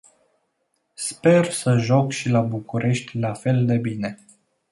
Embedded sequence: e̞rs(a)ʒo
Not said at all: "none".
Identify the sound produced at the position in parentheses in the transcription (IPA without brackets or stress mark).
ə